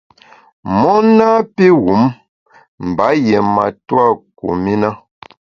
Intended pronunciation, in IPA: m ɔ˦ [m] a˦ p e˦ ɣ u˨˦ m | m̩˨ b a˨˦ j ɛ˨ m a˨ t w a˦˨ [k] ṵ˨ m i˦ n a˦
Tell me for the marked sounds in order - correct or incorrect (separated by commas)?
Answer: incorrect, correct